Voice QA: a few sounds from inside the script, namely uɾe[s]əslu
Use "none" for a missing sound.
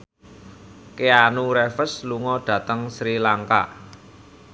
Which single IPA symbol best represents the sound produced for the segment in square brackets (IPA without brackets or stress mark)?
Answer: f